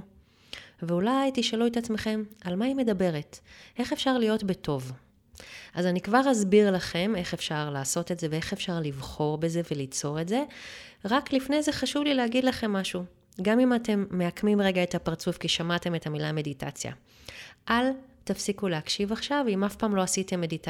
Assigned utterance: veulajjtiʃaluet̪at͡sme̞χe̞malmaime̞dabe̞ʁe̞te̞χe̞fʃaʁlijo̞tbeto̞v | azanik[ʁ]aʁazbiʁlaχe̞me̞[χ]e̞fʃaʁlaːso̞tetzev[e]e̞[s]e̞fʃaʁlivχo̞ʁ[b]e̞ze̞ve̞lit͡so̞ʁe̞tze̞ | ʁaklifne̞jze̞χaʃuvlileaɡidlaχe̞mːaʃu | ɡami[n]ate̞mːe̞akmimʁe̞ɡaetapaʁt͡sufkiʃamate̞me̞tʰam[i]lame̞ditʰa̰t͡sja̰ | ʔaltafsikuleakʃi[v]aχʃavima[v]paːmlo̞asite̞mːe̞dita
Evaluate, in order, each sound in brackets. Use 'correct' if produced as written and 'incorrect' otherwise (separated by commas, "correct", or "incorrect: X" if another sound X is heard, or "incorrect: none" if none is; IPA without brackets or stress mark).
incorrect: v, correct, correct, incorrect: χ, correct, incorrect: m, correct, correct, incorrect: f